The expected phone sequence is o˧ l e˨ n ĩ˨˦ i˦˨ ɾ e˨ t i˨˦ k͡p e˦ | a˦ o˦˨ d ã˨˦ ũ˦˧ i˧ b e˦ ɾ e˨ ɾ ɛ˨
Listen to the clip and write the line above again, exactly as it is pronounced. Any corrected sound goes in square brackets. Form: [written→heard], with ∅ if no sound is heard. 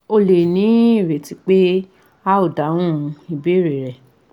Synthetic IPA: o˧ l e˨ n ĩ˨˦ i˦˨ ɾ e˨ t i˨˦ k͡p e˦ | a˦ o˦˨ d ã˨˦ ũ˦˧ i˧ b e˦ ɾ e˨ ɾ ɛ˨